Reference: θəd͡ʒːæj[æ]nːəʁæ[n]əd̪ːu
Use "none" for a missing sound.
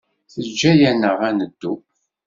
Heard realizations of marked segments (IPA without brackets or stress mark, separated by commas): æ, n